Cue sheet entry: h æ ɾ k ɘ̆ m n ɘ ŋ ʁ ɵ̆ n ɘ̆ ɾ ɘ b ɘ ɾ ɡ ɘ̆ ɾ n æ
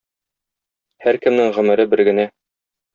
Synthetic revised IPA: h æ ɾ k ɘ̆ m n ɘ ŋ ʁ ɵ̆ m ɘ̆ ɾ ɘ b ɘ ɾ ɡ ɘ̆ n æ

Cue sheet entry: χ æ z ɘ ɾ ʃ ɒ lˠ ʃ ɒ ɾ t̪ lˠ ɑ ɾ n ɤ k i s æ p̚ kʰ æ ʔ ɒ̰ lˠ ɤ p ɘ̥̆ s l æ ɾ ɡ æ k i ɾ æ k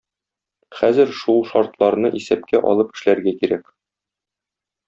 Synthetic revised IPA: χ æ z ɘ ɾ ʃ u lˠ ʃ ɒ ɾ t̪ lˠ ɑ ɾ n ɤ ʔ i s æ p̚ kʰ æ ʔ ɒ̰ lˠ ɤ p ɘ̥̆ ʃ l æ ɾ ɡ æ k i ɾ æ k

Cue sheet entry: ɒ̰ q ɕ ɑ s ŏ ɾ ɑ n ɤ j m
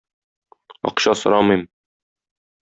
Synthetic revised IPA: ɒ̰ q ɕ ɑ s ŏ ɾ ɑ m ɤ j m

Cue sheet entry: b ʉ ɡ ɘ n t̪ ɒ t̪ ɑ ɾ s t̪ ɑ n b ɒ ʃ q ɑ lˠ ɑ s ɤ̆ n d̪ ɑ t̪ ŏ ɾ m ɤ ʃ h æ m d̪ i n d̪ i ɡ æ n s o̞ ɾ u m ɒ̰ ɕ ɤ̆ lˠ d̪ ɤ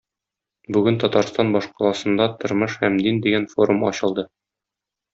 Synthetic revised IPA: b ʉ ɡ ɘ n t̪ ɒ t̪ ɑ ɾ s t̪ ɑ n b ɒ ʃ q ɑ lˠ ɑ s ɤ̆ n d̪ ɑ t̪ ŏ ɾ m ɤ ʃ h æ m d̪ i n d̪ i ɡ æ n f o̞ ɾ u m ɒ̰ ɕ ɤ̆ lˠ d̪ ɤ

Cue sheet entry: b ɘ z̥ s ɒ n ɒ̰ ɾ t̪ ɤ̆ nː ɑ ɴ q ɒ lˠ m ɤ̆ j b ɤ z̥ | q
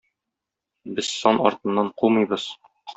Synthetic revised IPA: b ɘ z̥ s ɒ n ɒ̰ ɾ t̪ ɤ̆ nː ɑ ɴ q u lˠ m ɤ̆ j b ɤ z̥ | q

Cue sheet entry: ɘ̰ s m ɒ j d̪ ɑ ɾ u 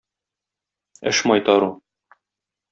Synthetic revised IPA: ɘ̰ ʃ m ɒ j t̪ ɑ ɾ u

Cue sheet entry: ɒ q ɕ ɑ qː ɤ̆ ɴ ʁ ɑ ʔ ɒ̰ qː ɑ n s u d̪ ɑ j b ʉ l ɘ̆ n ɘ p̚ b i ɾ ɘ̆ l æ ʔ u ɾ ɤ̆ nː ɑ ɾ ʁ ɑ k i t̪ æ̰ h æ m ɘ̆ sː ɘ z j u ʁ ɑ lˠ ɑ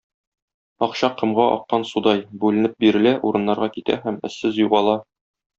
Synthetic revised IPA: ɒ q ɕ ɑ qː ɤ̆ m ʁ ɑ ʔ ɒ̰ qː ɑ n s u d̪ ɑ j b ʉ l ɘ̆ n ɘ p̚ b i ɾ ɘ̆ l æ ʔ u ɾ ɤ̆ nː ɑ ɾ ʁ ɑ k i t̪ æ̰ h æ m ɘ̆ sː ɘ z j u ʁ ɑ lˠ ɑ

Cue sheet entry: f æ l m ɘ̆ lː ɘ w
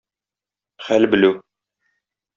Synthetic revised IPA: χ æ l b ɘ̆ l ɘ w

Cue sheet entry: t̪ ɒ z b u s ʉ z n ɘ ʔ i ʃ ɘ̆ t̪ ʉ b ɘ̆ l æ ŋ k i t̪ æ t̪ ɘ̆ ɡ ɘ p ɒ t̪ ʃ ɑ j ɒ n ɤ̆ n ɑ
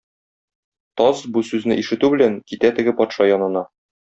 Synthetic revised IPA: t̪ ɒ z b u s ʉ z n ɘ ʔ i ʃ ɘ̆ t̪ ʉ b ɘ̆ l æ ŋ k i t̪ æ t̪ ɘ̆ ɡ ɘ p ɒ t̪ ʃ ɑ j ɒ n ɤ̆ n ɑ

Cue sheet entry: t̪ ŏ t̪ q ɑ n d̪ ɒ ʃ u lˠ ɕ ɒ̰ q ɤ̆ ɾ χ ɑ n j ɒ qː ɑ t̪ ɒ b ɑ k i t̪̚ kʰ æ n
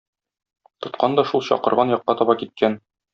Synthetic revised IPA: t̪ ŏ t̪ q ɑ n d̪ ɒ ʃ u lˠ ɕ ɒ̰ q ɤ̆ ɾ ʁ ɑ n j ɒ qː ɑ t̪ ɒ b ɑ k i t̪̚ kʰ æ n

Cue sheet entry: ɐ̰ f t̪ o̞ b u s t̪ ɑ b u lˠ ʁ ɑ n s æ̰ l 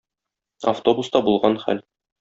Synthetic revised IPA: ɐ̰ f t̪ o̞ b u s t̪ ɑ b u lˠ ʁ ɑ n χ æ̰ l

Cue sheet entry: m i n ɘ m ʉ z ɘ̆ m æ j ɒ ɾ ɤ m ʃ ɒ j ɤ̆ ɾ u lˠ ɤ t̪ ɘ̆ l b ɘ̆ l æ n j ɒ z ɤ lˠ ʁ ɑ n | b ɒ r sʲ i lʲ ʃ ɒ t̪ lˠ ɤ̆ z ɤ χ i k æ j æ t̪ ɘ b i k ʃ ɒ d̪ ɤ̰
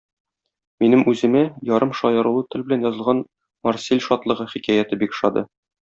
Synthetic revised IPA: m i n ɘ m ʉ z ɘ̆ m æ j ɒ ɾ ɤ m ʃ ɒ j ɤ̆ ɾ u lˠ ɤ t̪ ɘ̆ l b ɘ̆ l æ n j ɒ z ɤ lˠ ʁ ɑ n | m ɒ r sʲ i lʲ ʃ ɒ t̪ lˠ ɤ̆ ʁ ɤ χ i k æ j æ t̪ ɘ b i k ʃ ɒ d̪ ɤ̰

